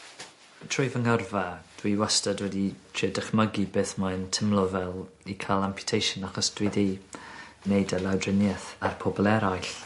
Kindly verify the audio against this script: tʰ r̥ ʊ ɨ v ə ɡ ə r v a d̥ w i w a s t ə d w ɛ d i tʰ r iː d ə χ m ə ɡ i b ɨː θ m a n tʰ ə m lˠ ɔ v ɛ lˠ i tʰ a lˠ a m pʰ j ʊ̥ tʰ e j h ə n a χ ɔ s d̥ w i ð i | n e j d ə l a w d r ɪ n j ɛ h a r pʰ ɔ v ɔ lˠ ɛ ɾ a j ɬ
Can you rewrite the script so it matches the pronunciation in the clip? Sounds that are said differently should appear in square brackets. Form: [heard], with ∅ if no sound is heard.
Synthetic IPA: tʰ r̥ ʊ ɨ v ə [ŋ] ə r v a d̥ w i w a s t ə d w ɛ d i tʰ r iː d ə χ m ə ɡ i b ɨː θ m a n tʰ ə m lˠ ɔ v ɛ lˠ i [kʰ] a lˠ a m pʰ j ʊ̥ tʰ e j [ʃ] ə n a χ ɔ s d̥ w i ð i | n e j d ə l a w d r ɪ n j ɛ [θ] a r pʰ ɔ [b] ɔ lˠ ɛ ɾ a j ɬ

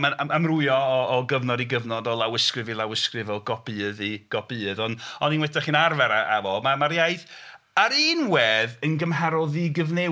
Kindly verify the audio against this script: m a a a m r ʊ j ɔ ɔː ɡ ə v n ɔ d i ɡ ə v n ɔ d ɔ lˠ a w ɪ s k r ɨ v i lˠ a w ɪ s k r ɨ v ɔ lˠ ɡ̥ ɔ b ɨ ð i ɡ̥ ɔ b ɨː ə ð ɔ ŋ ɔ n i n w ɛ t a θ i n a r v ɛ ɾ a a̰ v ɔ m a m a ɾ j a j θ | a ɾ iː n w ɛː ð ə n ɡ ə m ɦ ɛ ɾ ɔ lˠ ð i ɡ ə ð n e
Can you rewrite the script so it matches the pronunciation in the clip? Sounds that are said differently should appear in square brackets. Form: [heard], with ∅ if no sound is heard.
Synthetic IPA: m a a a m r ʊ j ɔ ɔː ɡ ə v n ɔ d i ɡ ə v n ɔ d ɔ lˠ a w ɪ s k r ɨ v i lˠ a w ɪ s k r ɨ v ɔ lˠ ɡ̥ ɔ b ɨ ð i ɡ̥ ɔ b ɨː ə ð ɔ [n] ɔ n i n w ɛ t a [χ] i n a r v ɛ ɾ a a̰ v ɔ m a m a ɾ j a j θ | a ɾ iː n w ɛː ð ə n ɡ ə m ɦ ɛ ɾ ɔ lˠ ð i ɡ ə [v] n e

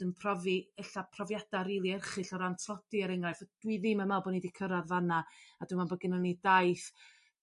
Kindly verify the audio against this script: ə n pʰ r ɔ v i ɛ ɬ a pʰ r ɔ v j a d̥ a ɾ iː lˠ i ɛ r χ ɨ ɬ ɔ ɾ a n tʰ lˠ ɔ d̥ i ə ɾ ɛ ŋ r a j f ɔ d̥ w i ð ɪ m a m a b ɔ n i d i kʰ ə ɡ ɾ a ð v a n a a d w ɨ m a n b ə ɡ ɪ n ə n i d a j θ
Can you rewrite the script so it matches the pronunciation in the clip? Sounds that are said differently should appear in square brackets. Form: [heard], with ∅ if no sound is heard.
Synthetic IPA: ə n pʰ r ɔ v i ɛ ɬ a pʰ r ɔ v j a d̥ a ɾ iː lˠ i ɛ r χ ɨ ɬ ɔ ɾ a n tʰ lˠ ɔ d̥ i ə ɾ ɛ ŋ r a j f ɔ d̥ w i ð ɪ m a m a b ɔ n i d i kʰ ə [∅] ɾ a ð v a n a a d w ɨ m a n b ə ɡ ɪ n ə n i d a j θ

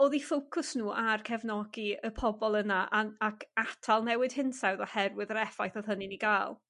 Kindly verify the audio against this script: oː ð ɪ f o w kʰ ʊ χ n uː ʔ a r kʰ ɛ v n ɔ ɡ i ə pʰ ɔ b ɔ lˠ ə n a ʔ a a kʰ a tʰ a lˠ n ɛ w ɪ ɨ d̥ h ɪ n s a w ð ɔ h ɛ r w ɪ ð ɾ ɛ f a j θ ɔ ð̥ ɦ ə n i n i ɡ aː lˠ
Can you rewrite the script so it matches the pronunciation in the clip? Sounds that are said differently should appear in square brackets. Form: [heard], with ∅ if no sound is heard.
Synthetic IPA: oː ð [i] f o w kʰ ʊ [s] n uː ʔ a r kʰ ɛ v n ɔ ɡ i ə pʰ ɔ b ɔ lˠ ə n a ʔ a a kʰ a tʰ a lˠ n ɛ w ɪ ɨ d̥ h ɪ n s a w ð ɔ h ɛ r w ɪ ð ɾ ɛ f a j θ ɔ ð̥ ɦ ə n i n i ɡ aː lˠ

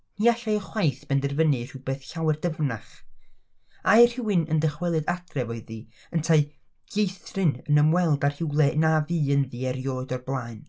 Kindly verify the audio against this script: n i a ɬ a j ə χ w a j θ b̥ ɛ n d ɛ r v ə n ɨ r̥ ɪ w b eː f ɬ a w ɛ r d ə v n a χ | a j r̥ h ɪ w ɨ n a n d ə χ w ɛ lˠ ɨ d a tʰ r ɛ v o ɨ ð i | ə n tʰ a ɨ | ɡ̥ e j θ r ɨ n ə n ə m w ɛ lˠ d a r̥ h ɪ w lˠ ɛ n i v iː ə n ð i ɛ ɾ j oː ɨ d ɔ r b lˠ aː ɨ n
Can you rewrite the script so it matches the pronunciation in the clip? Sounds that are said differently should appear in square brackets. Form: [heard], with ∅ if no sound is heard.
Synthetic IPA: n i a ɬ a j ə χ w a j θ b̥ ɛ n d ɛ r v ə n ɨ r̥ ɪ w b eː [θ] ɬ a w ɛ r d ə v n a χ | a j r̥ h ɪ w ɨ n [ə] n d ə χ w ɛ lˠ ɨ d a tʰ r ɛ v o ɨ ð i | ə n tʰ a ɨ | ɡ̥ e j θ r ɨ n ə n ə m w ɛ lˠ d a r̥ h ɪ w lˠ ɛ n [a] v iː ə n ð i ɛ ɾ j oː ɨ d ɔ r b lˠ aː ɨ n

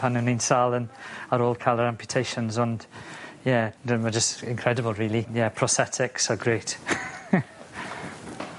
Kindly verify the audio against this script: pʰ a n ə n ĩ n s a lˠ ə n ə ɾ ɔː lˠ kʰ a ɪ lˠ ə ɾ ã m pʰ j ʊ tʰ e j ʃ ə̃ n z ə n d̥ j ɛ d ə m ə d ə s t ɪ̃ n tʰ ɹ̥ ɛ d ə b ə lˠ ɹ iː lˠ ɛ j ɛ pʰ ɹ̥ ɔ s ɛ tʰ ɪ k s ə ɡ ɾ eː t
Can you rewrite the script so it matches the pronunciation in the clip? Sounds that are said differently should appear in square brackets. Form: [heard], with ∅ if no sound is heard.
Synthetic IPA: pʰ a n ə n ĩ n s a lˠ ə n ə ɾ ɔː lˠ kʰ a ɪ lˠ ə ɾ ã m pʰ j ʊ tʰ e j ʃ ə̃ n z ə n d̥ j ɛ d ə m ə [d͡ʒ] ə s t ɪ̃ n [kʰ] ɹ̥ ɛ d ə b ə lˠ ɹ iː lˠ [i] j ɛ pʰ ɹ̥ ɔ s ɛ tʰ ɪ k s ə ɡ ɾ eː t

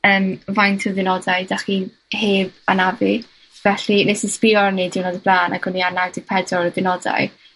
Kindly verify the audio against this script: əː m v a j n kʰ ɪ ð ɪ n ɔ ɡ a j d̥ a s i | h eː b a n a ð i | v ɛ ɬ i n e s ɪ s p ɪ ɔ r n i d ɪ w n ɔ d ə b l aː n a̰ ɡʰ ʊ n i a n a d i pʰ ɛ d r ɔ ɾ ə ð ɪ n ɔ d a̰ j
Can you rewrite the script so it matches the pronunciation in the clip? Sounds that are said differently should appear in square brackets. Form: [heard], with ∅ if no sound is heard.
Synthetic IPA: əː m v a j n [tʰ] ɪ ð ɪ n ɔ [d] a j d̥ a [χ] i | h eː b a n a [v] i | v ɛ ɬ i n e s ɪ s p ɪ ɔ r n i d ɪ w n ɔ d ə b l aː n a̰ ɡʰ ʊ n i a n a d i pʰ ɛ d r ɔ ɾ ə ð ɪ n ɔ d a̰ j

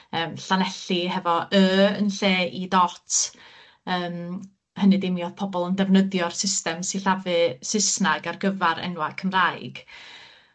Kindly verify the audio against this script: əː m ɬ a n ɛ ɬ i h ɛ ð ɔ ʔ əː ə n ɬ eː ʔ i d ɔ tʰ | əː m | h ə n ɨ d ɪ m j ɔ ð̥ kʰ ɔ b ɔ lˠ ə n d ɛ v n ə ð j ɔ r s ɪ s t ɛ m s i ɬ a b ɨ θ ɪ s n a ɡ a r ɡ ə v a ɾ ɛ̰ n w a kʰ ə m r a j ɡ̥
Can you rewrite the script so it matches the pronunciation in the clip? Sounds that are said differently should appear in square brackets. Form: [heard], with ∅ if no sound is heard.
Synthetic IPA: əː m ɬ a n ɛ ɬ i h ɛ [v] ɔ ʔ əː ə n ɬ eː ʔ i d ɔ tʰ | əː m | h ə n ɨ d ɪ m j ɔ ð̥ [pʰ] ɔ b ɔ lˠ ə n d ɛ v n ə ð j ɔ r s ɪ s t ɛ m s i ɬ a [v] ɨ [s] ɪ s n a ɡ a r ɡ ə v a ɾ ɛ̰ n w a kʰ ə m r a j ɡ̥

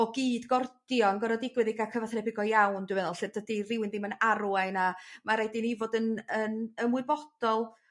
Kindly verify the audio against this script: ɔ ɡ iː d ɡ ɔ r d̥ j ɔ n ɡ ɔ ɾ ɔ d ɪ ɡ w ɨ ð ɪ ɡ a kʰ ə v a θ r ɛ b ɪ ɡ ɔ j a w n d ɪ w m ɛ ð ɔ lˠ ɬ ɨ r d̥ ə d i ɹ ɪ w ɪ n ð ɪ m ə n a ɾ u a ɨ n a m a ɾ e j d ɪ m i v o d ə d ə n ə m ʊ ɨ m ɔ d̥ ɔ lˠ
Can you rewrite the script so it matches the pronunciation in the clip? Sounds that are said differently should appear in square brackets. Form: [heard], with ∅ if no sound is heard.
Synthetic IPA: ɔ ɡ iː d ɡ ɔ r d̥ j ɔ n ɡ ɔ ɾ ɔ d ɪ ɡ w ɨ ð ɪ ɡ a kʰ ə v a θ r ɛ b ɪ ɡ ɔ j a w n d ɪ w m ɛ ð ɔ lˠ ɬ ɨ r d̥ ə d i [r] ɪ w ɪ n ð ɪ m ə n a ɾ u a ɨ n a m a ɾ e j d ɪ [n] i v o d ə [n] ə n ə m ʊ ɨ [b] ɔ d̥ ɔ lˠ

